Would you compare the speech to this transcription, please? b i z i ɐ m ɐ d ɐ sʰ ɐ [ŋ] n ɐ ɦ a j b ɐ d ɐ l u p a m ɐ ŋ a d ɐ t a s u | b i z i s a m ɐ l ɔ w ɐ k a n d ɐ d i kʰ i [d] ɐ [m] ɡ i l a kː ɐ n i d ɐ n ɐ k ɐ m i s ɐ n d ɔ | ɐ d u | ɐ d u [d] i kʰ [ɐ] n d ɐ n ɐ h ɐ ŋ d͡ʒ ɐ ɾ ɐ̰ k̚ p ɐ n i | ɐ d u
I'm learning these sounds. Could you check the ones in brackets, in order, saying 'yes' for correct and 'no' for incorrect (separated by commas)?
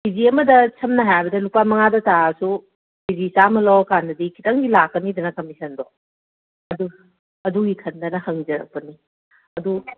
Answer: no, no, no, no, yes